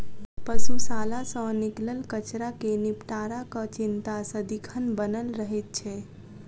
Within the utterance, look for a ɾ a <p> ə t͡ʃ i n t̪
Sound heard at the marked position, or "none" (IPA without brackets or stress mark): k